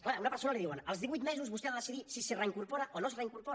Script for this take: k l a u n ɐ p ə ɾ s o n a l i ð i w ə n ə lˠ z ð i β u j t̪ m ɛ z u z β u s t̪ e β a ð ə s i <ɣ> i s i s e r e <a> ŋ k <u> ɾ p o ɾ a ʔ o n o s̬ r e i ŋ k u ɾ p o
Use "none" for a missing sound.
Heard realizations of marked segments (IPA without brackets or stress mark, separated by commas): ð, i, u